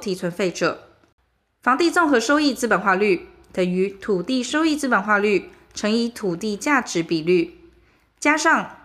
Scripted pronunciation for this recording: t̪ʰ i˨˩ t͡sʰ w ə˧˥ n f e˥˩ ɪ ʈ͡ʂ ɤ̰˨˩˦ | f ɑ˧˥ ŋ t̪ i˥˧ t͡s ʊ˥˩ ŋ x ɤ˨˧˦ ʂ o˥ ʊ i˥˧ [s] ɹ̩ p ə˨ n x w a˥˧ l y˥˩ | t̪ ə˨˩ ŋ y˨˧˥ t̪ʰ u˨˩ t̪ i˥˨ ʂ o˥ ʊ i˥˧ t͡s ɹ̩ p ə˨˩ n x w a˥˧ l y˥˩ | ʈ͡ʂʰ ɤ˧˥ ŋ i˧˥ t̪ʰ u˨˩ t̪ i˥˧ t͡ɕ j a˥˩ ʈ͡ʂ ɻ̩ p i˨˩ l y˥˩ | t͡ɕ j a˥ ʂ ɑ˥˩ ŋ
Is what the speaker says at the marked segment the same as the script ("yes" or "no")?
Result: no